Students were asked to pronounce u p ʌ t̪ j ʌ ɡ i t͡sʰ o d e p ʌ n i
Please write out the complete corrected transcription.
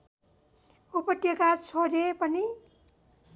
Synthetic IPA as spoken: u p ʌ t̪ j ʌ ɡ a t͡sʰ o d e p ʌ n i